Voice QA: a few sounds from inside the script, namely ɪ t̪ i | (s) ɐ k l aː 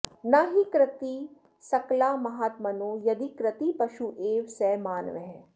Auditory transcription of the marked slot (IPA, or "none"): s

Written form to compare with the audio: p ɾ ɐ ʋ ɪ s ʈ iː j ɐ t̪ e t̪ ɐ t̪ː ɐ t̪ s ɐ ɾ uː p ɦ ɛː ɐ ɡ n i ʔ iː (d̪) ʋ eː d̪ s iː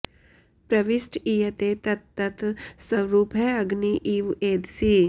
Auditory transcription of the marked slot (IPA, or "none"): none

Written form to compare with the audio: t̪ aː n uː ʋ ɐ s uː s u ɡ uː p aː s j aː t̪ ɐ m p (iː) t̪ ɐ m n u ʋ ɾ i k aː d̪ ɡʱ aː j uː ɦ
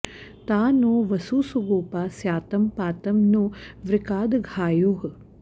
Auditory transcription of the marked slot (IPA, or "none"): aː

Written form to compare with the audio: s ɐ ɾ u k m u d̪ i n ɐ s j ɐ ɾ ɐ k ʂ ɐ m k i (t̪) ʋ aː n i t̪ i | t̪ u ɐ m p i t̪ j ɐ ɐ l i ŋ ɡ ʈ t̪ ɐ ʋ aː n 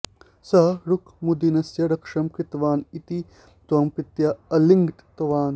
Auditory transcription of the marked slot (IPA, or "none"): t̪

